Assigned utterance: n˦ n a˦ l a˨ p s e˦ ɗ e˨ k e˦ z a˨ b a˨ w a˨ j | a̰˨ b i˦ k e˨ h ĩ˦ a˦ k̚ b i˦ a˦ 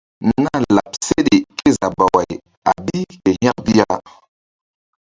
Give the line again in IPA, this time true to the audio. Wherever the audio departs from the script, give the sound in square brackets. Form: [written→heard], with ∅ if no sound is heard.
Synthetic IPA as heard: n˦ n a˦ l a˨ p s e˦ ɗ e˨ k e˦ z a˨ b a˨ w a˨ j | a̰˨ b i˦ k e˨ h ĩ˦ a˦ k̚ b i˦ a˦

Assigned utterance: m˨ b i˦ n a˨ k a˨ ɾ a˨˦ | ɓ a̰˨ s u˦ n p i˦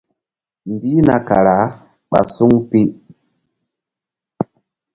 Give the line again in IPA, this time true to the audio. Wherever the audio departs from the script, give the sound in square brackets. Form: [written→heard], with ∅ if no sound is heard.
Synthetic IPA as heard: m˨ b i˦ n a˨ k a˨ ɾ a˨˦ | ɓ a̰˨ s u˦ [n→ŋ] p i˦

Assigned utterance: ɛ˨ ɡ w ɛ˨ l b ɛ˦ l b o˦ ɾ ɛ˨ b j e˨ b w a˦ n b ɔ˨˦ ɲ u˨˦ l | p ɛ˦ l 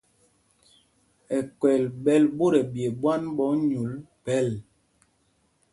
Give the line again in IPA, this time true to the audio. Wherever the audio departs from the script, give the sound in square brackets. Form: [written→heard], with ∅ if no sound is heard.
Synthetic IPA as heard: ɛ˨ [ɡ→k] w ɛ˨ l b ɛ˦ l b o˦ ɾ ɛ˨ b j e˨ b w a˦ n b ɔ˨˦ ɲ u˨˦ l | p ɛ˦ l

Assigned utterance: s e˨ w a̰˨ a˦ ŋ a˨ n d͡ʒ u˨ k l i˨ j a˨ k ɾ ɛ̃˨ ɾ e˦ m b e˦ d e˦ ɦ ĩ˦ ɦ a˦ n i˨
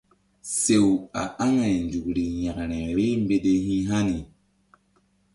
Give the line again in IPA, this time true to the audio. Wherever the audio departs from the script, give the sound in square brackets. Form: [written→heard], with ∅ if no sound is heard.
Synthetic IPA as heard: s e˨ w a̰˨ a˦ ŋ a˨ n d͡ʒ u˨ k [l→ɾ] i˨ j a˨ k ɾ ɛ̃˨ ɾ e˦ m b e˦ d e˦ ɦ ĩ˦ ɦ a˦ n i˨

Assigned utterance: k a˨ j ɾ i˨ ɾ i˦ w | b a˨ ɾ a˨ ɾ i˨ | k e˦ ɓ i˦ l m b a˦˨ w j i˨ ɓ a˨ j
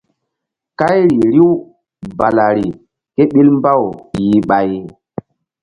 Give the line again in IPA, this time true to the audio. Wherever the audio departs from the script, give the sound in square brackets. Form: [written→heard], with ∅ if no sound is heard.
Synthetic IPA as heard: k [a˨→a˦] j ɾ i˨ ɾ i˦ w | b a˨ [ɾ→l] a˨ ɾ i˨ | k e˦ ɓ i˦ l m b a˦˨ w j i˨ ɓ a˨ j

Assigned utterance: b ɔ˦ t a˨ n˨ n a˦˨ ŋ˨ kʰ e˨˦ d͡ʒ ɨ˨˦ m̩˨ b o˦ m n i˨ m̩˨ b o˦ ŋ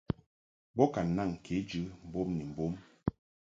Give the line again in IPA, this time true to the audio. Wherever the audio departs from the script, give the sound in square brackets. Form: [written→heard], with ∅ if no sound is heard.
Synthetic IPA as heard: b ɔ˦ [t→k] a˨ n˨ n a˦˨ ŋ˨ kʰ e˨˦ d͡ʒ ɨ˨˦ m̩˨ b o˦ m n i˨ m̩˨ b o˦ [ŋ→m]

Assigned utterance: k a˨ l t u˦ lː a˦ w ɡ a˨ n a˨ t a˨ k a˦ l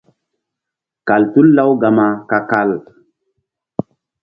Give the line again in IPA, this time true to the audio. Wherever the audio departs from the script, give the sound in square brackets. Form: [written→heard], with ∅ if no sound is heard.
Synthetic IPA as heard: k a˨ l t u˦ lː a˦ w ɡ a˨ [n→m] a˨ [t→k] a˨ k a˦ l

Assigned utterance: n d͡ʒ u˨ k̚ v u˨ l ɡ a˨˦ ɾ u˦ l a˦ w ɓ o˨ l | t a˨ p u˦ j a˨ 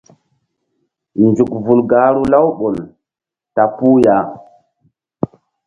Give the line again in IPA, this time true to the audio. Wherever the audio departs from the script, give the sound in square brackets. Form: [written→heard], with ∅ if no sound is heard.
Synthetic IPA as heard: n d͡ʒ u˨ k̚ v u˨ l ɡ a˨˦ ɾ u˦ l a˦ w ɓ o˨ l | t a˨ p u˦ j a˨

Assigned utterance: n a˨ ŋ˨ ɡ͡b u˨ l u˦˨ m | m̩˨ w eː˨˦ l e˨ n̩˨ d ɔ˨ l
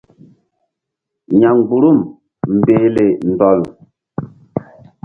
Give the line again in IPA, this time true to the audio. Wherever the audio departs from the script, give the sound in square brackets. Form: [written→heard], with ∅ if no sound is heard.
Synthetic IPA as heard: [n→ɲ] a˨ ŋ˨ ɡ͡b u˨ [l→ɾ] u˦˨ m | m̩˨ [w→b] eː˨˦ l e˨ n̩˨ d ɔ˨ l

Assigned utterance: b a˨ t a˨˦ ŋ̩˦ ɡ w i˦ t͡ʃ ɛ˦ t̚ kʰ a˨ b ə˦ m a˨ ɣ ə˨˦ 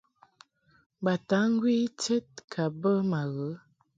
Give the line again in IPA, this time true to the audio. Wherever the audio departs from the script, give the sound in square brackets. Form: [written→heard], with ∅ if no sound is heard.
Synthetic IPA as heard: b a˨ t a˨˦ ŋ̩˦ ɡ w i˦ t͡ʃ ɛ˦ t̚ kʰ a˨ b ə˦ m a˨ ɣ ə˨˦

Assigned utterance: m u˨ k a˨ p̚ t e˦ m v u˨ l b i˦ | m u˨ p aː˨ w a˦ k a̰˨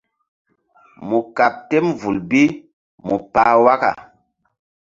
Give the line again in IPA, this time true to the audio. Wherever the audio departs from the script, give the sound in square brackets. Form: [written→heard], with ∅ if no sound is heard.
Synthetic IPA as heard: m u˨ k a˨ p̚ t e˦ m v u˨ l b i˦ | m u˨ p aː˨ w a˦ k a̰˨

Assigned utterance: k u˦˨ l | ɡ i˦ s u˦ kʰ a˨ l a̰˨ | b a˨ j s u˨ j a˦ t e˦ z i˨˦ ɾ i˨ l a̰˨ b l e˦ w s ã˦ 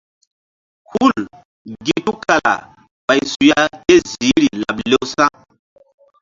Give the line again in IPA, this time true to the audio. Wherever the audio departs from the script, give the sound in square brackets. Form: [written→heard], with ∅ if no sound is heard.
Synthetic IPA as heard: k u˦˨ l | ɡ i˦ [s→t] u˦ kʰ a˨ l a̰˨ | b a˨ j s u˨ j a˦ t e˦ z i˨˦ ɾ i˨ l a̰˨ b l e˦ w s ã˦

